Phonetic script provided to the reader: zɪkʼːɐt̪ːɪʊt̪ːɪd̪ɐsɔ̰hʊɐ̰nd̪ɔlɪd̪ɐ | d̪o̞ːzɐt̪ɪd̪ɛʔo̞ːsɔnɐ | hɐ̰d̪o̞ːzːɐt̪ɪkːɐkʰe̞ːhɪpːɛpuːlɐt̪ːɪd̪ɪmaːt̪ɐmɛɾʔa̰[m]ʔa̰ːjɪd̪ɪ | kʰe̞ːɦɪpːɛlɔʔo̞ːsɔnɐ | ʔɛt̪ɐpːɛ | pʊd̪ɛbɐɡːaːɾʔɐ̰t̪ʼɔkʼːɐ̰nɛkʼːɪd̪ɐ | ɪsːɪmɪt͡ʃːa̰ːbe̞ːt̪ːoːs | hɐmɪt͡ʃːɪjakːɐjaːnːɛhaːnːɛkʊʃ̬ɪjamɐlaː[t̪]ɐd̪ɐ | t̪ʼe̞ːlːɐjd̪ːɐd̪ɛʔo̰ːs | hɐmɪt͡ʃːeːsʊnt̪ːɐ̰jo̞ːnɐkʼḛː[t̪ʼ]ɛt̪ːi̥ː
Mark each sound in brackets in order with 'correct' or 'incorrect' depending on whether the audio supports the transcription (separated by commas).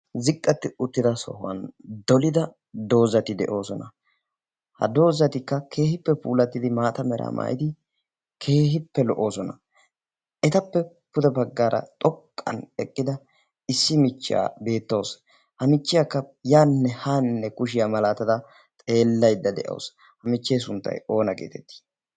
correct, correct, incorrect